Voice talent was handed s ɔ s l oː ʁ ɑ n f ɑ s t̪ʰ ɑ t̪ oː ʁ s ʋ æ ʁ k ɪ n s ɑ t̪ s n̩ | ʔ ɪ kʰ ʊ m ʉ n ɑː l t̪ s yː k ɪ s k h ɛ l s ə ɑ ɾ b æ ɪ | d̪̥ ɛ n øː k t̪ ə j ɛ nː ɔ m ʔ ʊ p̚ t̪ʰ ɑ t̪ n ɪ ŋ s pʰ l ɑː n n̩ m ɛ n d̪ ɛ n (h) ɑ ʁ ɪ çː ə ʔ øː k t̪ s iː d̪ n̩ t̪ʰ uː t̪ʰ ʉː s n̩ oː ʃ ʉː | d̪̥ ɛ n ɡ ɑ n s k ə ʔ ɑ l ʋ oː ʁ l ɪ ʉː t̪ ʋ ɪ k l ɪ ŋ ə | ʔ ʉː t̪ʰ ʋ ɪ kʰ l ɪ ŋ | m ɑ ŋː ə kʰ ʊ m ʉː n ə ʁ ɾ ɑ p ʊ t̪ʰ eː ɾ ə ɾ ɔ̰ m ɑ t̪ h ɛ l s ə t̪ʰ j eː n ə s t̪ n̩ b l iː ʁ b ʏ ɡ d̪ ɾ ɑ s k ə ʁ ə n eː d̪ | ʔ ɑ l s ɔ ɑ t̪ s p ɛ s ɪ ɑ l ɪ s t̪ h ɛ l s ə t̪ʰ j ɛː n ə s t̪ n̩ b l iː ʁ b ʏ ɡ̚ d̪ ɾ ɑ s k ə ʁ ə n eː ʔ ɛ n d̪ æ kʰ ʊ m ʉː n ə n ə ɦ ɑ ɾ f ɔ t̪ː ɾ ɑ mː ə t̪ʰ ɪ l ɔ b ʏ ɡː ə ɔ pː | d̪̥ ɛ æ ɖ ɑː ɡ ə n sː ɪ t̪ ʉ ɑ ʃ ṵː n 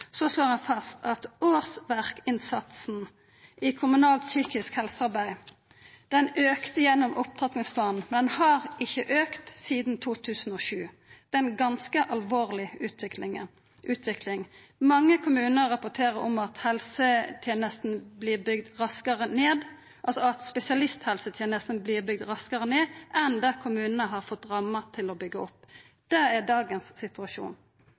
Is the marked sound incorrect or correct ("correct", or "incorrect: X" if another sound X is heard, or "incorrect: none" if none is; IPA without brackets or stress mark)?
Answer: correct